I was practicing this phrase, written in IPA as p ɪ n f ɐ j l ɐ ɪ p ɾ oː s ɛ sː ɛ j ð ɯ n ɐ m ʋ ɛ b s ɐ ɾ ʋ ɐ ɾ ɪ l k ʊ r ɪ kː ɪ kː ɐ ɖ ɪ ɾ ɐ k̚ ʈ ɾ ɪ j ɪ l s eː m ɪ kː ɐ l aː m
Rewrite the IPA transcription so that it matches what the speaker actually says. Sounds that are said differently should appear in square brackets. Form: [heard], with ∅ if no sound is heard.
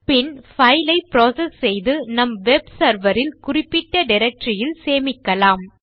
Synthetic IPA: p ɪ n f ɐ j l ɐ ɪ p ɾ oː s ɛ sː ɛ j ð ɯ n ɐ m ʋ ɛ b s ɐ ɾ ʋ ɐ ɾ ɪ l k ʊ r ɪ [pː] ɪ [ʈː] ɐ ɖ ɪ ɾ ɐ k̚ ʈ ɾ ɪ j ɪ l s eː m ɪ kː ɐ l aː m